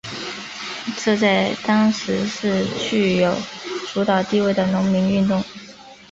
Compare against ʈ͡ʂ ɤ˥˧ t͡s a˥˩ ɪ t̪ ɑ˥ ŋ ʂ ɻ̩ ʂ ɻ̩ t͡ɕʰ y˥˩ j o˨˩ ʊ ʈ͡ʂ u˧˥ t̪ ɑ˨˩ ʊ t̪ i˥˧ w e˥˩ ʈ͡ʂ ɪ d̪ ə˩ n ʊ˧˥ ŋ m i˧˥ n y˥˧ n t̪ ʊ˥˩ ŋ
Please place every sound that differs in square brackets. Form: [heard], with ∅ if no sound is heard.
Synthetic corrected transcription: ʈ͡ʂ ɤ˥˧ t͡s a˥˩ ɪ t̪ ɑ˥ ŋ ʂ ɻ̩ ʂ ɻ̩ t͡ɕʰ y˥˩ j o˨˩ ʊ ʈ͡ʂ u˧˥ t̪ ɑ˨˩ ʊ t̪ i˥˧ w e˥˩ [∅] ɪ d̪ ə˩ n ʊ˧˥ ŋ m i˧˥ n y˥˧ n t̪ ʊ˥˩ ŋ